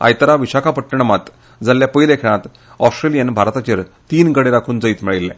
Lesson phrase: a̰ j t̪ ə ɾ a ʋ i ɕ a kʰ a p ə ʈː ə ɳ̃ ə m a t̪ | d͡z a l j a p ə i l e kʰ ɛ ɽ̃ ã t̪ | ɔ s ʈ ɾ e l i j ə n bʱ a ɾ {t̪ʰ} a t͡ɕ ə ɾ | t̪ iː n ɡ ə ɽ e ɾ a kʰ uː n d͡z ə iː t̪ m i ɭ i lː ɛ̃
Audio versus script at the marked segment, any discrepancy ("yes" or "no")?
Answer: yes